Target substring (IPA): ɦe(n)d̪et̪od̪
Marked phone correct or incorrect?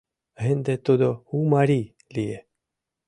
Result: correct